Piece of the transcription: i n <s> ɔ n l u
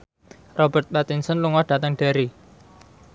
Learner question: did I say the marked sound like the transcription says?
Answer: yes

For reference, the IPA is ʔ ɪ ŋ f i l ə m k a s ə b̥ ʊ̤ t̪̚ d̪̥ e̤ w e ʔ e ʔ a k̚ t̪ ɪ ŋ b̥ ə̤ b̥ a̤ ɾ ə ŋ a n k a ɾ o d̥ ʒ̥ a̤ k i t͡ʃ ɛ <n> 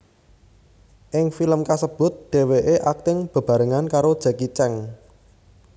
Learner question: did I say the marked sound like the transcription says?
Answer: no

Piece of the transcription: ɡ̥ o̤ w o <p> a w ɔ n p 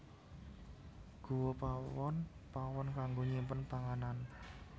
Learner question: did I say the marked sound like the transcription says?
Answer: yes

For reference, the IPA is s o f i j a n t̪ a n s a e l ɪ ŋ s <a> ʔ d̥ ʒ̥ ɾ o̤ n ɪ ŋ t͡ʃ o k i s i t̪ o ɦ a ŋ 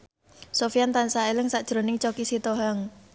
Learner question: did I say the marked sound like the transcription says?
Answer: yes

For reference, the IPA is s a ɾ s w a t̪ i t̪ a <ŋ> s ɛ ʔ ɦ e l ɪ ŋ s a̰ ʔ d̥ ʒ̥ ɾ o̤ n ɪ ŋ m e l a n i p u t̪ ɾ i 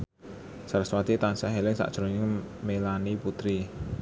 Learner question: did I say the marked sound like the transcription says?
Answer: no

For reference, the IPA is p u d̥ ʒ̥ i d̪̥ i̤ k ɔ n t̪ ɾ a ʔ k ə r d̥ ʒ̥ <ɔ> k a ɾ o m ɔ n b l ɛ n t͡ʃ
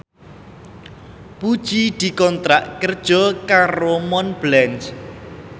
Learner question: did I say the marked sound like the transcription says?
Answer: yes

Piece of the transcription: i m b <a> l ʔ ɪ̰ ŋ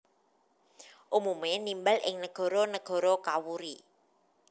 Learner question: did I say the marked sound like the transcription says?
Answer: yes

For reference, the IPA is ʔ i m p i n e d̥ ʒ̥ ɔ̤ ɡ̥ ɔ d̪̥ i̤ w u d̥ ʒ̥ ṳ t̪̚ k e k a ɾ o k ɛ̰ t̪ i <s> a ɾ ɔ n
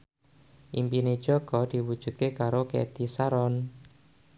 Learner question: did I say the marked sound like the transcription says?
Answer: yes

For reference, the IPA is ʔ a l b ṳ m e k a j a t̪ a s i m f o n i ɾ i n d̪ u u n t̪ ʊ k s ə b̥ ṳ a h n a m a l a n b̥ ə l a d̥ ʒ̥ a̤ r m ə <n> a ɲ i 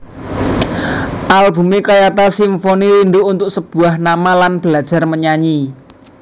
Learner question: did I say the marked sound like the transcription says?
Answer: no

